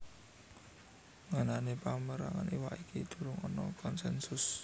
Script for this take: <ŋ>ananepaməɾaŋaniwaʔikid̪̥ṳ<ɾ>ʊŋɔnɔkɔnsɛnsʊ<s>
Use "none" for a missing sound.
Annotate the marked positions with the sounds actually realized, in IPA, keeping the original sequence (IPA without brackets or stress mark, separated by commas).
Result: ŋ, ɾ, s